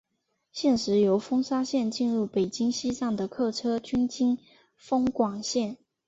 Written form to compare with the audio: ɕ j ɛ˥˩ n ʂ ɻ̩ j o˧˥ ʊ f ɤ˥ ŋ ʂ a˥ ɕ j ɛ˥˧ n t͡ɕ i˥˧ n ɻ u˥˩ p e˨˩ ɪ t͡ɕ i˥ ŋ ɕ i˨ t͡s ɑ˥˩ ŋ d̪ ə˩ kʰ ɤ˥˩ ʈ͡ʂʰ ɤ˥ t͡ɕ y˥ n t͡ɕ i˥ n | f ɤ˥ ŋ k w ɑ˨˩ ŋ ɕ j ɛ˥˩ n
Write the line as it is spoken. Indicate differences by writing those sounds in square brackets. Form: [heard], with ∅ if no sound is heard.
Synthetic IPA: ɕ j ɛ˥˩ n ʂ ɻ̩ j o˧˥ ʊ f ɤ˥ ŋ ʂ a˥ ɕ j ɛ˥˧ n t͡ɕ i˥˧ n ɻ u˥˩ p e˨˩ ɪ t͡ɕ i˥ ŋ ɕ [i˥] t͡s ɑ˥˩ ŋ d̪ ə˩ kʰ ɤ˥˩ ʈ͡ʂʰ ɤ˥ t͡ɕ y˥ n t͡ɕ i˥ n | f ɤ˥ ŋ k w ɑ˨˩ ŋ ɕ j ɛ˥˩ n

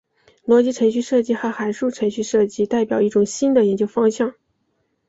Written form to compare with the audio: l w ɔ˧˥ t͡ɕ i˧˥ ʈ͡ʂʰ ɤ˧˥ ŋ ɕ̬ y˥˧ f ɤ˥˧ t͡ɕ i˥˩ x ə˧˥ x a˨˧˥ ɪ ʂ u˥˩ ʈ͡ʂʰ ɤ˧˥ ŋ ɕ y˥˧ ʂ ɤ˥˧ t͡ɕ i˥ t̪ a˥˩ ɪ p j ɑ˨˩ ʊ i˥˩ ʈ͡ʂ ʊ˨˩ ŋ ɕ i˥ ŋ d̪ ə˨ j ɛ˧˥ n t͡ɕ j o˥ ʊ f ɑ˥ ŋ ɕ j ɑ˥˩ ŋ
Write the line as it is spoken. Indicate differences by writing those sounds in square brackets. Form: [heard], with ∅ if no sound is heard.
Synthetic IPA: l w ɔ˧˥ t͡ɕ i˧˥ ʈ͡ʂʰ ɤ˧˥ ŋ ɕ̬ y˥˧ [ʂ] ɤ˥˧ t͡ɕ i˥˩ x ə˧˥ x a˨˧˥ ɪ ʂ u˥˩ ʈ͡ʂʰ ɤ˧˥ ŋ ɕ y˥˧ ʂ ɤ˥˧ t͡ɕ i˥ t̪ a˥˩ ɪ p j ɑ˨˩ ʊ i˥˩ ʈ͡ʂ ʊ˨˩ ŋ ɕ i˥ [n] d̪ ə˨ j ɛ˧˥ n t͡ɕ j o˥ ʊ f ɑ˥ ŋ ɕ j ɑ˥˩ ŋ

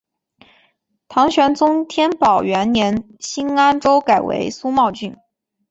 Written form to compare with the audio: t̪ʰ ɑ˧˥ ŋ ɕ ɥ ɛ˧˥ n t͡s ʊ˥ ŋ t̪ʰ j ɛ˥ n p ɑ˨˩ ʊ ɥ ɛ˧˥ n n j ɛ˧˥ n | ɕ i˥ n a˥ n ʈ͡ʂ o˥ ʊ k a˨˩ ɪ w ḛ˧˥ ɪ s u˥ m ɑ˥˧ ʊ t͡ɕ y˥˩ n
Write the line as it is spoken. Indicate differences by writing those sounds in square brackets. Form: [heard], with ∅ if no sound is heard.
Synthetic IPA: t̪ʰ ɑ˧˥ ŋ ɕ ɥ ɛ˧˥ n t͡s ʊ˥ ŋ t̪ʰ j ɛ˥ n p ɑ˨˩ ʊ ɥ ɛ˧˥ n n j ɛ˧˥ n | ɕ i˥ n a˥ n ʈ͡ʂ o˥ ʊ k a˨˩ ɪ w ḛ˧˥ ɪ s u˥ m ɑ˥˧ ʊ t͡ɕ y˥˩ n

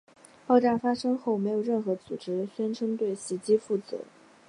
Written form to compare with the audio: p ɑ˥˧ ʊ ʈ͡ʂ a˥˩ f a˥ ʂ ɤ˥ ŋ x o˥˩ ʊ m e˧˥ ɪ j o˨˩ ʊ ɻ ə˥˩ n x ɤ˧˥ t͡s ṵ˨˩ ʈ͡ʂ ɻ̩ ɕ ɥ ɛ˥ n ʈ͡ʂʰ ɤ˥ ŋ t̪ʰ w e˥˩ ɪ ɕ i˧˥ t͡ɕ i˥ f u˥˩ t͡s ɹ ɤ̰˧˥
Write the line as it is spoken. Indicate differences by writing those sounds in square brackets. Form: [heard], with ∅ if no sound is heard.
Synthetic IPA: p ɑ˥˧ ʊ ʈ͡ʂ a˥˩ f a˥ ʂ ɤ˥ ŋ x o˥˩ ʊ m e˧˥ ɪ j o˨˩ ʊ ɻ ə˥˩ n x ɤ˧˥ t͡s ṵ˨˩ ʈ͡ʂ ɻ̩ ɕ ɥ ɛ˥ n ʈ͡ʂʰ ɤ˥ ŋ [t̪] w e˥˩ ɪ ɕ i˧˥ t͡ɕ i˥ f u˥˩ t͡s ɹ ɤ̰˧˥

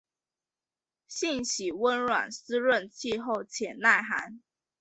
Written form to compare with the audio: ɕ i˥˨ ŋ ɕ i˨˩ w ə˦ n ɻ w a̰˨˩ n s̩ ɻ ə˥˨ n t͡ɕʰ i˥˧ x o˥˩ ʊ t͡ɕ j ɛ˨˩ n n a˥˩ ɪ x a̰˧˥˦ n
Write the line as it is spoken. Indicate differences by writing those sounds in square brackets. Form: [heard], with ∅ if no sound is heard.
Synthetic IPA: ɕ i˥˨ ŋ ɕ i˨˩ w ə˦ n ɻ w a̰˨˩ n s̩ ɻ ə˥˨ n t͡ɕʰ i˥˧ x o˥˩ ʊ [t͡ɕʰ] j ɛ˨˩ n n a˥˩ ɪ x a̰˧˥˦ n

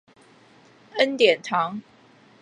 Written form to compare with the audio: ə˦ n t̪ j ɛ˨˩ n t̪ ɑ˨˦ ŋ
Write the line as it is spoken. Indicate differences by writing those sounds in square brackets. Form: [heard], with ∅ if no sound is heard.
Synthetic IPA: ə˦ n t̪ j ɛ˨˩ n [t̪ʰ] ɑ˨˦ ŋ

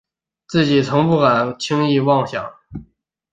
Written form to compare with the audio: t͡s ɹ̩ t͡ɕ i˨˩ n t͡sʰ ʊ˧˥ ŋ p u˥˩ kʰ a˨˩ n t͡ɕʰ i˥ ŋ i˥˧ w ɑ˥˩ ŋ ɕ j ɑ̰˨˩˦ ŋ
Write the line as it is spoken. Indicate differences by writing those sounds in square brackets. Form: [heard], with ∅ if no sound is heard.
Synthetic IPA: t͡s ɹ̩ t͡ɕ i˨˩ [∅] t͡sʰ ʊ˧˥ ŋ p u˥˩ [k] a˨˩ n t͡ɕʰ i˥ ŋ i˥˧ w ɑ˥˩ ŋ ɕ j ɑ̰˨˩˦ ŋ

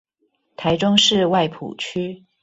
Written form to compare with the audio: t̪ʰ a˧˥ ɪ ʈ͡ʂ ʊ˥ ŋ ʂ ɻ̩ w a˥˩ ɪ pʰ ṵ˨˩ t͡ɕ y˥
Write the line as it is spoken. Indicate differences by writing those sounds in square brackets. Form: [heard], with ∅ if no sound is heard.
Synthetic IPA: t̪ʰ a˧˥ ɪ ʈ͡ʂ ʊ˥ ŋ ʂ ɻ̩ w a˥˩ ɪ pʰ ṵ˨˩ [t͡ɕʰ] y˥

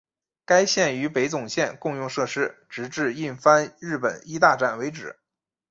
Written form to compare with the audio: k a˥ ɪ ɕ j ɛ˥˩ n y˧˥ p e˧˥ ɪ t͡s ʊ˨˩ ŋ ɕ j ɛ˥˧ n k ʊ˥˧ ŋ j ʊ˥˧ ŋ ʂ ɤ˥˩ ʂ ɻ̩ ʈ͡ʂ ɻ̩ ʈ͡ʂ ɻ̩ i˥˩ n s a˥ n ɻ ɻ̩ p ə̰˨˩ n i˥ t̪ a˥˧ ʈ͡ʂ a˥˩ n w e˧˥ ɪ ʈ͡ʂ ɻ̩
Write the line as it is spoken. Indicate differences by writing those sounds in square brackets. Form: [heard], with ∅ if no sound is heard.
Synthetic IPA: k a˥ ɪ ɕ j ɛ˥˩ n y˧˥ p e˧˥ ɪ t͡s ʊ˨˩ ŋ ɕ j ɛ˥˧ n k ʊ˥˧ ŋ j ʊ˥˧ ŋ ʂ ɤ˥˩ ʂ ɻ̩ ʈ͡ʂ ɻ̩ ʈ͡ʂ ɻ̩ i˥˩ n [f] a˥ n ɻ ɻ̩ p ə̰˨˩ n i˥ t̪ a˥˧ ʈ͡ʂ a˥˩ n w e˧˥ ɪ ʈ͡ʂ ɻ̩

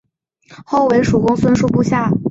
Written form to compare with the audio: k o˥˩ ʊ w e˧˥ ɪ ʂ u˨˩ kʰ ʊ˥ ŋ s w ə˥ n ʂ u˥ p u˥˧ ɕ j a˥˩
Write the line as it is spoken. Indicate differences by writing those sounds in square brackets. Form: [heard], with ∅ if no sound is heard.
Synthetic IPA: [x] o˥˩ ʊ w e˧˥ ɪ ʂ u˨˩ [k] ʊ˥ ŋ s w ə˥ n ʂ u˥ p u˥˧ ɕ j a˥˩

